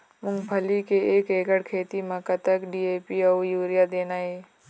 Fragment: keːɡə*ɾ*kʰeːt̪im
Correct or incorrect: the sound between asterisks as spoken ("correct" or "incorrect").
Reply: incorrect